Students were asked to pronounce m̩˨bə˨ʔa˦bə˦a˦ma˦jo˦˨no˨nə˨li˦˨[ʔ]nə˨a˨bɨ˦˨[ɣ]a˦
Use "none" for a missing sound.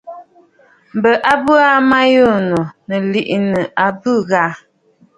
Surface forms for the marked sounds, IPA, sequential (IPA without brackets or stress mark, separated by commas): ʔ, ɣ